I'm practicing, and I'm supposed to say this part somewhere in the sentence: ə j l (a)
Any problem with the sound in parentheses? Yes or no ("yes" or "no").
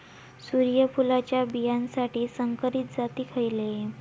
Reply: yes